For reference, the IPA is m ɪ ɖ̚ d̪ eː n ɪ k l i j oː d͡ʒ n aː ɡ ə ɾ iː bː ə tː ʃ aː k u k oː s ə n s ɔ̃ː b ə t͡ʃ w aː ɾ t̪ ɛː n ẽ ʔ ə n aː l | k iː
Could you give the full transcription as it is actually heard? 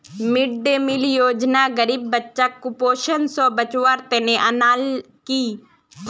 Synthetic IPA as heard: m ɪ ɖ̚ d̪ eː m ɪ l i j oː d͡ʒ n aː ɡ ə ɾ iː bː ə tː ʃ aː k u p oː ʃ ə n s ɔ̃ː b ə t͡ʃ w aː ɾ t̪ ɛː n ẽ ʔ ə n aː l | k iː